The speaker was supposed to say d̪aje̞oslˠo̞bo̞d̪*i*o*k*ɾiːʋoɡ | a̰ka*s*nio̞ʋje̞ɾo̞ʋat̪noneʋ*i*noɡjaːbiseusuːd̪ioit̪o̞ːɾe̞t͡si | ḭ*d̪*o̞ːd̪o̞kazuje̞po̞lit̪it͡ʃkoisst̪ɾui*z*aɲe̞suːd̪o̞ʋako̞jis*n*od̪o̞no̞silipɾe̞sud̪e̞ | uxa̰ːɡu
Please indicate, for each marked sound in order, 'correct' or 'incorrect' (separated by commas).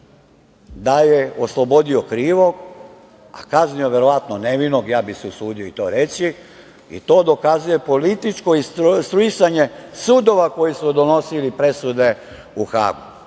correct, correct, incorrect, correct, incorrect, incorrect, incorrect